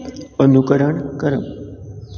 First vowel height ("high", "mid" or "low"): mid